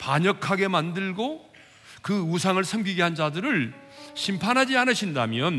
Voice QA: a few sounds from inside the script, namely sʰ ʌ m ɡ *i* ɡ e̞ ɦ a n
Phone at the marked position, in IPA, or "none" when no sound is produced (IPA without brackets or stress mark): i